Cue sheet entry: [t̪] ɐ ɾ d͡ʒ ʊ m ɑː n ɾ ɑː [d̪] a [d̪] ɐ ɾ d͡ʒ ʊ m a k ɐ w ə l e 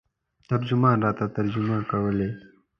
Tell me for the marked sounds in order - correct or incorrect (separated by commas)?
correct, incorrect, incorrect